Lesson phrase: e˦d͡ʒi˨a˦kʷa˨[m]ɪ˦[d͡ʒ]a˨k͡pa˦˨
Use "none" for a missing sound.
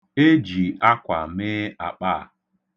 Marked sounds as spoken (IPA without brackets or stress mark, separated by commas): m, none